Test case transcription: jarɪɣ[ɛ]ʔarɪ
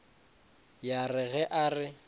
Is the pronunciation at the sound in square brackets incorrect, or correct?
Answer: correct